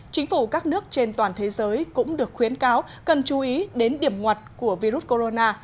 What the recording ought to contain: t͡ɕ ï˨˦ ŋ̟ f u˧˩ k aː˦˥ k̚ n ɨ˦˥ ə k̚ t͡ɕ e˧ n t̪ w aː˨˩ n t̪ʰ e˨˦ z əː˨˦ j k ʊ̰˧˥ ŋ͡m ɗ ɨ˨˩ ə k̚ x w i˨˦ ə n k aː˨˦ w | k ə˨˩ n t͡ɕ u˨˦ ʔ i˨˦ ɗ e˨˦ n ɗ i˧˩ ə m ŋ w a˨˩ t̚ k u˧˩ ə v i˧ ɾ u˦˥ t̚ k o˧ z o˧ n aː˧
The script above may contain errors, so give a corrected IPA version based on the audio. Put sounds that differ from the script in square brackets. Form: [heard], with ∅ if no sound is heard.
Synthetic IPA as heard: t͡ɕ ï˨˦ ŋ̟ f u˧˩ k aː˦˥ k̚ n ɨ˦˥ ə k̚ t͡ɕ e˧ n t̪ w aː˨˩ n t̪ʰ e˨˦ z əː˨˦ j k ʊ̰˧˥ ŋ͡m ɗ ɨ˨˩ ə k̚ x w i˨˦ ə n k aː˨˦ w | k ə˨˩ n t͡ɕ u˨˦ ʔ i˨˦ ɗ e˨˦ n ɗ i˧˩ ə m ŋ w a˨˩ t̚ k u˧˩ ə v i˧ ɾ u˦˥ t̚ k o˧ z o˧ n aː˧